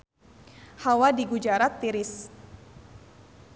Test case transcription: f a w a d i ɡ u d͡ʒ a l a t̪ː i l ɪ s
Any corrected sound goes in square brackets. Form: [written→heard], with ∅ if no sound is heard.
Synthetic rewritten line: [f→h] a w a d i ɡ u d͡ʒ a [l→ɾ] a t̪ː i [l→ɾ] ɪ s